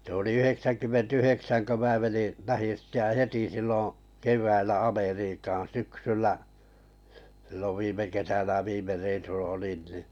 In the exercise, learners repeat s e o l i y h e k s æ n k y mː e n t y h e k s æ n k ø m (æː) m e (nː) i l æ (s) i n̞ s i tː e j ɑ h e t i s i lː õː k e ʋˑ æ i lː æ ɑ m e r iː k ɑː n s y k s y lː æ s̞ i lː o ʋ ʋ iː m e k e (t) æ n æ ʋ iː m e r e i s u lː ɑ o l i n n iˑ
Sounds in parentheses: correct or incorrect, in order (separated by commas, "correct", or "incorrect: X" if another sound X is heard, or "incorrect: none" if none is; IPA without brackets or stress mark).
correct, incorrect: n, incorrect: h, incorrect: s